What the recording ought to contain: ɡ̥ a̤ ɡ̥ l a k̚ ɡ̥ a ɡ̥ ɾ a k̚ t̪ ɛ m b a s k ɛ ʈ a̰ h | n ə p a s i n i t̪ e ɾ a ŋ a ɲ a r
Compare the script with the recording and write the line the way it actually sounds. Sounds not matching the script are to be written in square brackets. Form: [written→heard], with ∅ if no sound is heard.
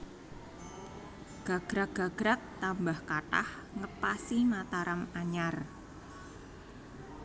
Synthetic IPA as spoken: ɡ̥ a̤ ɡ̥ [l→ɾ] a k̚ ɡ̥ a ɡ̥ ɾ a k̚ t̪ [ɛ→a] m b a [s→h] k [ɛ→a] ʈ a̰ h | [n→ŋ] ə p a s i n [i→a] t̪ [e→a] ɾ a [ŋ→m] a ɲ a r